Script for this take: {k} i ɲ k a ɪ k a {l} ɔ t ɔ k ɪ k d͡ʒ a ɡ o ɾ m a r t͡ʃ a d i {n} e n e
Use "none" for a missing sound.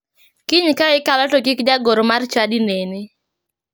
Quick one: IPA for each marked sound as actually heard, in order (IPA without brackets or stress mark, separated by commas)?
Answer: k, l, n